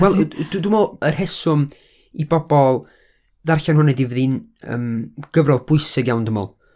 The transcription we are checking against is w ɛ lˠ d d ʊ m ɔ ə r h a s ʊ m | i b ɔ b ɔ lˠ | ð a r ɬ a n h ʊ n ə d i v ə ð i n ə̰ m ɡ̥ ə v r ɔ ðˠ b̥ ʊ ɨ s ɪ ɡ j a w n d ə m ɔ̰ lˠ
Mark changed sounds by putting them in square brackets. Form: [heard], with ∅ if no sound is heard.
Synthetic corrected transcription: w ɛ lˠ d d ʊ m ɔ ə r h [ɛ] s ʊ m | i b ɔ b ɔ lˠ | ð a r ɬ a n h ʊ n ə d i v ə ð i n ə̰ m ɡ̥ ə v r ɔ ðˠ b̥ ʊ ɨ s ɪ ɡ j a w n d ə m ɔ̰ lˠ